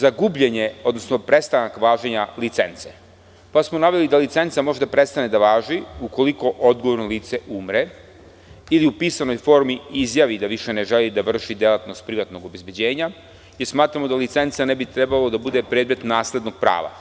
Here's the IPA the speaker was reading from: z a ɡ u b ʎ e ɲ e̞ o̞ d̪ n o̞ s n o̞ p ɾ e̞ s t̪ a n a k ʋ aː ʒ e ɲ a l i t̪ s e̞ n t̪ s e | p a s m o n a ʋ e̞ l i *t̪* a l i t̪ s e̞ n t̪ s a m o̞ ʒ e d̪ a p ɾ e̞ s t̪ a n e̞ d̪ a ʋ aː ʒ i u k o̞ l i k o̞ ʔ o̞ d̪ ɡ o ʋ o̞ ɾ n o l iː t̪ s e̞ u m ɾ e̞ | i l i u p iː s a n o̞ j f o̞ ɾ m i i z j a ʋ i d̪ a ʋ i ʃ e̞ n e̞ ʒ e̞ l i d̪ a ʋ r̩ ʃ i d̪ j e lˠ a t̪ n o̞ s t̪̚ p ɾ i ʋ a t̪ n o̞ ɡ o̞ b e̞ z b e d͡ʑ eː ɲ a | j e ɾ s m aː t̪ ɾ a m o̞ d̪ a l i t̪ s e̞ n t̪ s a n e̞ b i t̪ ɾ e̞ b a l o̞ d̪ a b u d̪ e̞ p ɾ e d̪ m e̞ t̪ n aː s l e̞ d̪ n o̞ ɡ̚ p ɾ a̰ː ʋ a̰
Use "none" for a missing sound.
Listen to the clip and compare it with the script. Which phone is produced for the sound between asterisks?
d̪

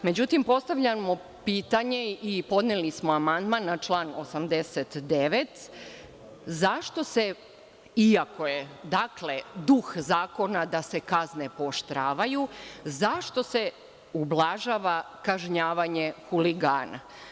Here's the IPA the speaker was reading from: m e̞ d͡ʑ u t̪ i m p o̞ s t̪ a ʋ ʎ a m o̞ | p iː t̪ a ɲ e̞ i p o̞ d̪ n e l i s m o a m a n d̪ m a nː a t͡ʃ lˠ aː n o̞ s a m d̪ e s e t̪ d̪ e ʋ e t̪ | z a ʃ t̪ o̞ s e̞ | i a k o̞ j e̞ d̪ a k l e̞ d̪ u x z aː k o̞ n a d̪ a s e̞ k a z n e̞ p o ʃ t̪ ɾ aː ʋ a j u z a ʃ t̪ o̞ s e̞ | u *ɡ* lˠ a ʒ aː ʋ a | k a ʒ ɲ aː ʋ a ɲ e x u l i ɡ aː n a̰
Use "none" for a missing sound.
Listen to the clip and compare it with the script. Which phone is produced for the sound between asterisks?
b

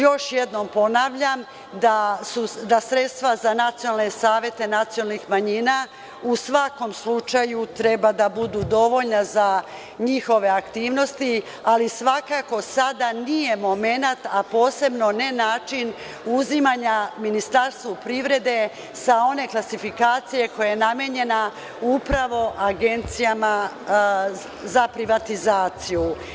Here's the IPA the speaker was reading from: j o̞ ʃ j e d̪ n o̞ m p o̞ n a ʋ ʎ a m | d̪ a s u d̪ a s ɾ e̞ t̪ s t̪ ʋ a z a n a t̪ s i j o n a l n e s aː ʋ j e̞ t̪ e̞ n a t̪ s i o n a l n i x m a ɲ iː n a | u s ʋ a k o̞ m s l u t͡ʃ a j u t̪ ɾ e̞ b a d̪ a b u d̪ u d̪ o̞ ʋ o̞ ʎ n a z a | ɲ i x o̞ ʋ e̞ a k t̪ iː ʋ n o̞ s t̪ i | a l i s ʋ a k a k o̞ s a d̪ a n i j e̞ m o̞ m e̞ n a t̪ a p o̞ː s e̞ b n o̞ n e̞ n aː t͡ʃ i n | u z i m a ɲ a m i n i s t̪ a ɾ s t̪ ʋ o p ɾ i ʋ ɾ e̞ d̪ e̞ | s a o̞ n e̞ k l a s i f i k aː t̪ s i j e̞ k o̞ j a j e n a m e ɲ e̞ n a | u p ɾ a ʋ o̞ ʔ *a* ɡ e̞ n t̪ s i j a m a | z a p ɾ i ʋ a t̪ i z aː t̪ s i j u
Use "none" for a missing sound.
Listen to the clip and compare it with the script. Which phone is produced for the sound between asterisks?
a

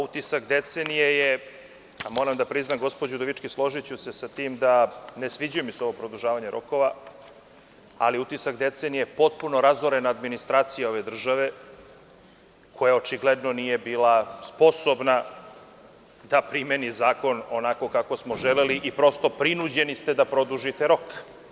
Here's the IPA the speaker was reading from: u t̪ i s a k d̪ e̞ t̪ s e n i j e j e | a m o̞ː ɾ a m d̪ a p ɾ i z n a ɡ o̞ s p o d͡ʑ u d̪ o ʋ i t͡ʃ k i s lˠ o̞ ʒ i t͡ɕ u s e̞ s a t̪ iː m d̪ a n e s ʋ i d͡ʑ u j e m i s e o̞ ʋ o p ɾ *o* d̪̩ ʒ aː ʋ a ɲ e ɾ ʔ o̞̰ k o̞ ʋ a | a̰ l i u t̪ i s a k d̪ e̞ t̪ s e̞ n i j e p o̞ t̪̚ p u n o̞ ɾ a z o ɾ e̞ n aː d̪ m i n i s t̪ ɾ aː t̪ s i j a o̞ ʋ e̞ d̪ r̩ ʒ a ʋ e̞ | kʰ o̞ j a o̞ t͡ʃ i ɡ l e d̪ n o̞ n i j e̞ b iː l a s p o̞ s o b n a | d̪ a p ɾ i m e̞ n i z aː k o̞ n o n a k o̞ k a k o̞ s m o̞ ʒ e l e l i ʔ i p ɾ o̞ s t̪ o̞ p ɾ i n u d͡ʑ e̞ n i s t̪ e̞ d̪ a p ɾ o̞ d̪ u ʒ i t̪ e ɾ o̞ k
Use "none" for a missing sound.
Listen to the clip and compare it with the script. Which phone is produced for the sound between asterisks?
o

